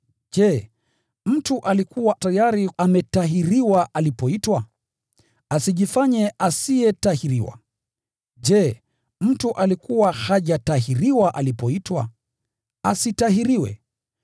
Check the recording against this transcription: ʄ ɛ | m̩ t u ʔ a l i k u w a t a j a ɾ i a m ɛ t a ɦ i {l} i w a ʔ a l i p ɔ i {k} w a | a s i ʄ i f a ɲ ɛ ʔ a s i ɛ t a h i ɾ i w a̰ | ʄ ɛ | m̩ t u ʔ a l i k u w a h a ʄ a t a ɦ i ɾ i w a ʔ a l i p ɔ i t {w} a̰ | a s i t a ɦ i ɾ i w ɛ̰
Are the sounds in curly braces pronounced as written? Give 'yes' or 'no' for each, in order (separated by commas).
no, no, yes